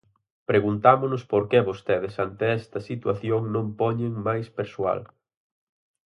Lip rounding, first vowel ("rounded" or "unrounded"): unrounded